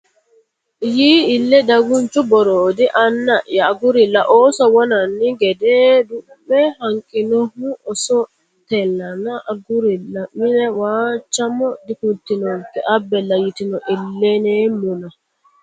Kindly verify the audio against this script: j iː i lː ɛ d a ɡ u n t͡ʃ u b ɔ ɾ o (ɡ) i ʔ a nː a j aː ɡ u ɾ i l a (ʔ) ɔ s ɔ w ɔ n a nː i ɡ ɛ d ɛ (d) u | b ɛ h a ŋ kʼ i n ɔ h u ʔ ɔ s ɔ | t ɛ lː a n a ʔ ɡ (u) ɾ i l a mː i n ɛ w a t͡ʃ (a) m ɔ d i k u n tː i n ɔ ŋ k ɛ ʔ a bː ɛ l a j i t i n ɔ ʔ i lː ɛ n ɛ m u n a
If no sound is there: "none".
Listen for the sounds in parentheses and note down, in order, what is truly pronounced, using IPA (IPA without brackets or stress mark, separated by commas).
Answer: d, ʔ, d, u, a